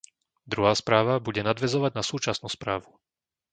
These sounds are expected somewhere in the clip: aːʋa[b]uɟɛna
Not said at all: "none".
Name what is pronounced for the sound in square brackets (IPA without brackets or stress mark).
b